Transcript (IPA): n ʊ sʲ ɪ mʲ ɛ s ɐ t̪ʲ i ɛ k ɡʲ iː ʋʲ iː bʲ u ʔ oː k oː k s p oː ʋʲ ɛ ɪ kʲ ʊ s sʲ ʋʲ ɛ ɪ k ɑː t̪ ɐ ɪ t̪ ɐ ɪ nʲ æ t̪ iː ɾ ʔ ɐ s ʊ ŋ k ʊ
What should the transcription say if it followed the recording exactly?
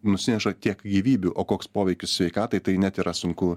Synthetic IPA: n ʊ sʲ ɪ nʲ ɛ ʃ ɐ t̪ʲ i ɛ k ɡʲ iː ʋʲ iː bʲ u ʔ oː k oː k s p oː ʋʲ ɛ ɪ kʲ ʊ s sʲ ʋʲ ɛ ɪ k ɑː t̪ ɐ ɪ t̪ ɐ ɪ nʲ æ t̪ iː ɾ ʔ ɐ s ʊ ŋ k ʊ